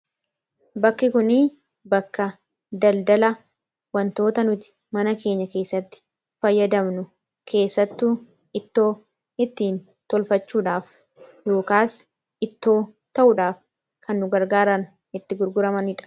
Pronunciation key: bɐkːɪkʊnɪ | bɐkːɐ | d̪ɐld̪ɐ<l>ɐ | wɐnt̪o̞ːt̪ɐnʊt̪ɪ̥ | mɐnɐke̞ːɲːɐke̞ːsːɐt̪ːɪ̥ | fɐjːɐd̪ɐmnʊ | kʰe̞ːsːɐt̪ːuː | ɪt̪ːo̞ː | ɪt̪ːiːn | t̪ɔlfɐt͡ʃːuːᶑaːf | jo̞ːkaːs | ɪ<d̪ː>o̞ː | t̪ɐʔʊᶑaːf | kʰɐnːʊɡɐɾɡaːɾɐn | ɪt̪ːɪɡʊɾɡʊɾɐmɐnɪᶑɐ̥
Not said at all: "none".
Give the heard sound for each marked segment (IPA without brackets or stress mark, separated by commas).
l, t̪ː